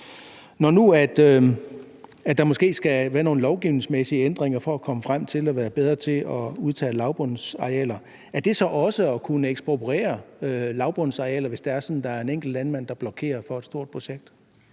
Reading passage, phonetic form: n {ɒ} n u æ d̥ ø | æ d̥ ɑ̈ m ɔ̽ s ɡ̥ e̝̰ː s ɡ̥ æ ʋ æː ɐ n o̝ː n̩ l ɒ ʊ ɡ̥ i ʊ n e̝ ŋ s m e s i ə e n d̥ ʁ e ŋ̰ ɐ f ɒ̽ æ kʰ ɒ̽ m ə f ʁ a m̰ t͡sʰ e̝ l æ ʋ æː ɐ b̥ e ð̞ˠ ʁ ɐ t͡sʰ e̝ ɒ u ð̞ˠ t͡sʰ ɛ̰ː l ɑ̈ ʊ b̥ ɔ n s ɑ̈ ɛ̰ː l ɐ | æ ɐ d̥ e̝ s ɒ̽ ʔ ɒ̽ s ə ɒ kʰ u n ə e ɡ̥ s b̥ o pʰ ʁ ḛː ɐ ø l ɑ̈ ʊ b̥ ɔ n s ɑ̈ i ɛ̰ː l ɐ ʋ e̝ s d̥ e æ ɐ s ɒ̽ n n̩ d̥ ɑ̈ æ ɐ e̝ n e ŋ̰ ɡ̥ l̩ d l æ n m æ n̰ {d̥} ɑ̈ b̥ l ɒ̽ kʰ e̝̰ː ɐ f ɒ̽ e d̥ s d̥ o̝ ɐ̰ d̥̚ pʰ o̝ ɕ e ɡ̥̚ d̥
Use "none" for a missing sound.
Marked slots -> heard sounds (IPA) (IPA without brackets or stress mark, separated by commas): ɒ, d̥